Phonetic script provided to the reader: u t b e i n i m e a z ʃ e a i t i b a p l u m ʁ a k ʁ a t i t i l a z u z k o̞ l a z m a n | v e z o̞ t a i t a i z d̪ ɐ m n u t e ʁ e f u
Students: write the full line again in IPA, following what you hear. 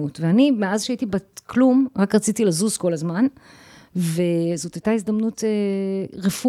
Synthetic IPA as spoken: u t v e a n i m e a z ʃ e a i t i b a k l u m ʁ a k ʁ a t͡s i t i l a z u z k o̞ l a z m a n | v e z o̞ t a j t a i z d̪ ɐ m n u t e ʁ e f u